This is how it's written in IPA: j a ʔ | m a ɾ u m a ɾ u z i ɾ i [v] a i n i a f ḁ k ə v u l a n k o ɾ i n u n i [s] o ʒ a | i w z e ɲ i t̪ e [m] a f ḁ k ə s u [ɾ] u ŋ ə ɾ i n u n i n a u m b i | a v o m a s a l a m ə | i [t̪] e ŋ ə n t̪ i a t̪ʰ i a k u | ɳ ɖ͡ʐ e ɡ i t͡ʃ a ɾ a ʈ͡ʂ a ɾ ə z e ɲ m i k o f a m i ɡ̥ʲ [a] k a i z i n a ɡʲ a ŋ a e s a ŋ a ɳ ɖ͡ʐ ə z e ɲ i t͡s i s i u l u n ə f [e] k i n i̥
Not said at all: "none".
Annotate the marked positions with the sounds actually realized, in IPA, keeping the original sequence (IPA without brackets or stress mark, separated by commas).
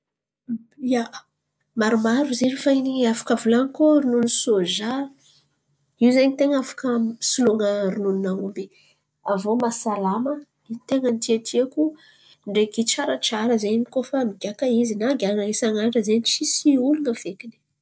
f, s, ŋ, l, t̪, a, e